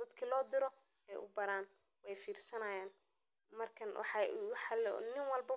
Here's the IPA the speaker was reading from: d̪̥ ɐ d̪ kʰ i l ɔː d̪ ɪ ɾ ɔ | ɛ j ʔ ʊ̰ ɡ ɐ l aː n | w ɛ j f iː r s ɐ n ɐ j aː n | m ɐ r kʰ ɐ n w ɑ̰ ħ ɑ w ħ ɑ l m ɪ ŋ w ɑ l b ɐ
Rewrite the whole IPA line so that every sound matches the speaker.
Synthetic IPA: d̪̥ ɐ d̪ kʰ i l ɔː d̪ ɪ ɾ ɔ | ɛ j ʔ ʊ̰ b ɐ ɾ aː n | w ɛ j f iː r s ɐ n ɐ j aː n | m ɐ r kʰ ɐ n w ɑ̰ ħ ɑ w ħ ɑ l n ɪ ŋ w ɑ l b ɐ